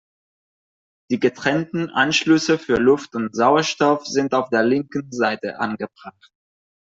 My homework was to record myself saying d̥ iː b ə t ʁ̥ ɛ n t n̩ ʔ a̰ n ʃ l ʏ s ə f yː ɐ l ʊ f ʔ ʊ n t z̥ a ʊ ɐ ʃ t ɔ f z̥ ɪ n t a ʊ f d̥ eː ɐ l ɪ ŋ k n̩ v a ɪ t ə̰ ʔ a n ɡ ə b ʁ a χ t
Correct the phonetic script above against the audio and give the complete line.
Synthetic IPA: d̥ iː ɡ ə t ʁ̥ ɛ n t n̩ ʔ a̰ n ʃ l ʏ s ə f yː ɐ l ʊ f t ʊ n t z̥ a ʊ ɐ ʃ t ɔ f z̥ ɪ n t a ʊ f d̥ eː ɐ l ɪ ŋ k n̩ z a ɪ t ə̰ ʔ a n ɡ ə b ʁ a χ t